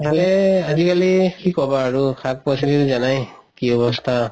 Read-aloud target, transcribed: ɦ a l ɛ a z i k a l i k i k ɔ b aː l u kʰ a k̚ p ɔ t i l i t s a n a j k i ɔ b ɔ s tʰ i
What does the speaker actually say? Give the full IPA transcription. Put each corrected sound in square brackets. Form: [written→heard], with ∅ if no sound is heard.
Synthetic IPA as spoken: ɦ a l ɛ a z i k a l i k i k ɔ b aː [l→ɹ] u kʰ a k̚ p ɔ [t→s] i l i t [s→z] a n a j k i ɔ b ɔ s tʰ [i→a]